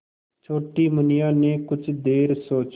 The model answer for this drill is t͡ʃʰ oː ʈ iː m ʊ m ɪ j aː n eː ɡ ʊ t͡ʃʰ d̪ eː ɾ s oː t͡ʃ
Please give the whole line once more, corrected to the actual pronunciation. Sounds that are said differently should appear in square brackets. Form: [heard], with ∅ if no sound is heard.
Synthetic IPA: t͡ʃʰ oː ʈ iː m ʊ [n] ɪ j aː n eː [k] ʊ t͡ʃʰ d̪ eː ɾ s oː t͡ʃ